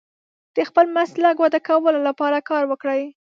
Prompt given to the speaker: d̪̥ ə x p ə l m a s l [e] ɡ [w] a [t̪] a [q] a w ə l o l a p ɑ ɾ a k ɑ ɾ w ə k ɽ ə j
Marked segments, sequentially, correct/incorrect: incorrect: a, correct, incorrect: d̪, incorrect: k

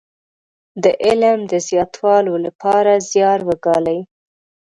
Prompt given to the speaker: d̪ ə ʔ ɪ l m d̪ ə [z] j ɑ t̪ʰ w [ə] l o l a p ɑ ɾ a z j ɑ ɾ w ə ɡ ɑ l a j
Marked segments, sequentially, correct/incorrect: correct, incorrect: ɑ

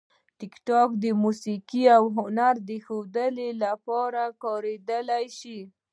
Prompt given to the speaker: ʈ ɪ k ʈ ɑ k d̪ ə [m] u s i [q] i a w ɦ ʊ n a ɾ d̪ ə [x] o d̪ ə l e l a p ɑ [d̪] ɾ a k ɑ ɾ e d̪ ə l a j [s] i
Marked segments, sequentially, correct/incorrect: correct, incorrect: k, correct, incorrect: none, incorrect: ʃ

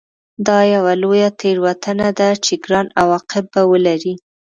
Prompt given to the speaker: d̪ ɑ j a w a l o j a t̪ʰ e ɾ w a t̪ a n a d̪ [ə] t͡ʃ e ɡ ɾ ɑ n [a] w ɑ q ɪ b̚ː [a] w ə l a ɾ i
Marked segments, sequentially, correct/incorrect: incorrect: a, correct, correct

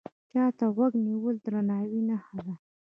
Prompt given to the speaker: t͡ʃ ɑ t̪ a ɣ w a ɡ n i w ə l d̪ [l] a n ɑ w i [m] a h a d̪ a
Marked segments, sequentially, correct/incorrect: incorrect: ɾ, incorrect: n

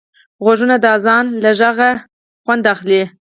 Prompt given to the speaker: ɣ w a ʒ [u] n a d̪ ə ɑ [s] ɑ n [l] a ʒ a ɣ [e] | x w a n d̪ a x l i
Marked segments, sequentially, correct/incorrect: correct, incorrect: z, correct, incorrect: a

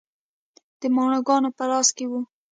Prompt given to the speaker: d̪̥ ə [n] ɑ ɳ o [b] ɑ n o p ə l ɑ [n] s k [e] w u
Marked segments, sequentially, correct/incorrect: incorrect: m, incorrect: ɡ, incorrect: none, correct

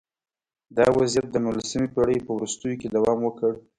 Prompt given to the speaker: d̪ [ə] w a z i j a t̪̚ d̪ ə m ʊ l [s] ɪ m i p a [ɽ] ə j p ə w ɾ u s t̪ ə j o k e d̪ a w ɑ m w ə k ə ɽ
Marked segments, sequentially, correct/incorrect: incorrect: ɑ, correct, correct

